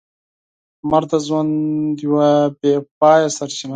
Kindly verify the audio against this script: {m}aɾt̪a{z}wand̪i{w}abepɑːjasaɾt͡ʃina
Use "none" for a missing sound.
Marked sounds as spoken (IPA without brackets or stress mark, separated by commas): m, z, w